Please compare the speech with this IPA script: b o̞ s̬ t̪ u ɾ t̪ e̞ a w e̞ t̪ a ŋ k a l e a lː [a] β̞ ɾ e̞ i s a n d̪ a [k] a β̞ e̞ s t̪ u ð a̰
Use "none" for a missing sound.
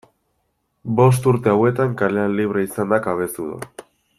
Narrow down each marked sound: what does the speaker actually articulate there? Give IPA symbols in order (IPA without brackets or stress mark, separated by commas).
i, k